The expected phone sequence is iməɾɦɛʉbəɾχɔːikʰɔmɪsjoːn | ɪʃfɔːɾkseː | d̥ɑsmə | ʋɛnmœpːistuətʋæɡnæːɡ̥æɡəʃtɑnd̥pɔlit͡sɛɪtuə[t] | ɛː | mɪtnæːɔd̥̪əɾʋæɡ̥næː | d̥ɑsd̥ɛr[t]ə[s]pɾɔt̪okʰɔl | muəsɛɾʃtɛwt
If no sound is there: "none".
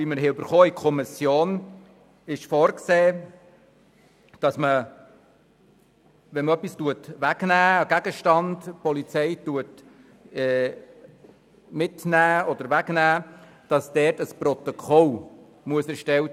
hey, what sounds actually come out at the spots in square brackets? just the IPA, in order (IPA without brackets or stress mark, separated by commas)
t, t, s